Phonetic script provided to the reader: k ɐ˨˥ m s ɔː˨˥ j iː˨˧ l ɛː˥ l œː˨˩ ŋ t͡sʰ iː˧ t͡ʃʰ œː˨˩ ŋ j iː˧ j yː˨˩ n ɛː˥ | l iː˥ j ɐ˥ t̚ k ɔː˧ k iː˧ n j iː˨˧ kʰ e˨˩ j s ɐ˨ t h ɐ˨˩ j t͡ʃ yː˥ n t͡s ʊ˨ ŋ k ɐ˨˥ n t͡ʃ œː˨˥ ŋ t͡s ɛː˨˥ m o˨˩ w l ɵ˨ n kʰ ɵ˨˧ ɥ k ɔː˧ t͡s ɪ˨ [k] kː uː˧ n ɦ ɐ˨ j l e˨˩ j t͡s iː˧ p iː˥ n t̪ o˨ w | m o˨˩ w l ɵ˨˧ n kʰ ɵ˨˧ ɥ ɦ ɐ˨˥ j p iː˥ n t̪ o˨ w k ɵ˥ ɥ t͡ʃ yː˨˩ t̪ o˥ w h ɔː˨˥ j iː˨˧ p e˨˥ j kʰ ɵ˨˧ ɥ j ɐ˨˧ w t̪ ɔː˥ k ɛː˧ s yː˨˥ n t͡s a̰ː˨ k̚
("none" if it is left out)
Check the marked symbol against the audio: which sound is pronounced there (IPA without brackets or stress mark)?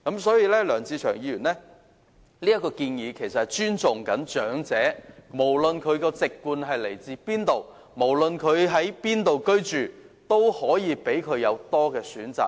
k